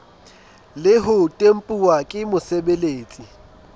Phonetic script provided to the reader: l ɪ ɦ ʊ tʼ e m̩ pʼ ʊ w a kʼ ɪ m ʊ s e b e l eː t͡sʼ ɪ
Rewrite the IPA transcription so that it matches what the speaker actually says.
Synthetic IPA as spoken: l ɪ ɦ ʊ tʼ e m̩ pʼ u w a kʼ ɪ m ʊ s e b e l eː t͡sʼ i